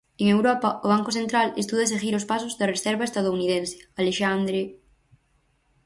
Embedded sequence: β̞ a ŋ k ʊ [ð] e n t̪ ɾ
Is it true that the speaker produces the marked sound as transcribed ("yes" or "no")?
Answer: no